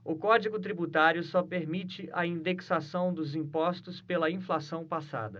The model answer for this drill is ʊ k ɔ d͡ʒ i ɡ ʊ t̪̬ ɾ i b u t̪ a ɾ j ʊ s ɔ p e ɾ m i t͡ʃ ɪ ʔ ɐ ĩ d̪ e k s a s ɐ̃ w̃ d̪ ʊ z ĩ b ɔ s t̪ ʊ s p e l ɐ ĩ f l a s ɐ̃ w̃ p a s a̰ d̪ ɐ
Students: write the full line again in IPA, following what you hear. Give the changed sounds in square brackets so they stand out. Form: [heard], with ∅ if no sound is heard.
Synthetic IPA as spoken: ʊ k ɔ d͡ʒ i ɡ ʊ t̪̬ ɾ i b u t̪ a ɾ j ʊ s ɔ p e ɾ m i t͡ʃ ɪ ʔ ɐ ĩ d̪ e k s a s ɐ̃ w̃ d̪ ʊ z ĩ [p] ɔ s t̪ ʊ s p e l ɐ ĩ f l a s ɐ̃ w̃ p a s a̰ d̪ ɐ